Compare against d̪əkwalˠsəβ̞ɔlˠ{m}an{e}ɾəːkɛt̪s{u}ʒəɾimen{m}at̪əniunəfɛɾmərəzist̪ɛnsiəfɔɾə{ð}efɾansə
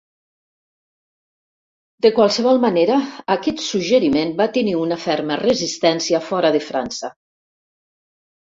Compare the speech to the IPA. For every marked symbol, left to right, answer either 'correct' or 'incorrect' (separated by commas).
correct, correct, correct, incorrect, correct